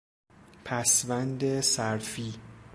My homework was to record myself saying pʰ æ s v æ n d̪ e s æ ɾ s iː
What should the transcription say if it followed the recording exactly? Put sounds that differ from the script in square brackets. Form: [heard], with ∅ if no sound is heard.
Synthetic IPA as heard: pʰ æ s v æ n d̪ e s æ ɾ [f] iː